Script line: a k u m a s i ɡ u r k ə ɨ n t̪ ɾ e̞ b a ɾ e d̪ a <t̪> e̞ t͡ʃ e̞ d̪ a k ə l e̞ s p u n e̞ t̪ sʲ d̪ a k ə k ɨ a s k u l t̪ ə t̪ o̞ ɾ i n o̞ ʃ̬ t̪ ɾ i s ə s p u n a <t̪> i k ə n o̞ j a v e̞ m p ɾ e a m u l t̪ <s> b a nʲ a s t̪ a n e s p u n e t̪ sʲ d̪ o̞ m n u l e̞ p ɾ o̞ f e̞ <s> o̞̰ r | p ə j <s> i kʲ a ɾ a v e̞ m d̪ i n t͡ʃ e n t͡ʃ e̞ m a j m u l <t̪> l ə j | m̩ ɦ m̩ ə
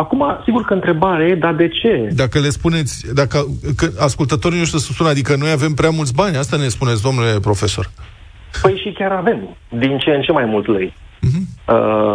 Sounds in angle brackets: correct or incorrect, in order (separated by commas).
incorrect, incorrect, correct, correct, incorrect, correct